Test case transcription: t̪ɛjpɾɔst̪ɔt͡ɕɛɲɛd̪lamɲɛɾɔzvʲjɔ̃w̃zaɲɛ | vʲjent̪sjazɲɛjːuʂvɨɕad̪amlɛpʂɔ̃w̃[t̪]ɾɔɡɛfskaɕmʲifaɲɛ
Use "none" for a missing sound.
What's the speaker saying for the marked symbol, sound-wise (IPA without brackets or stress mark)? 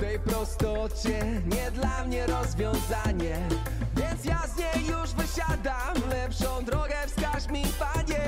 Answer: d̪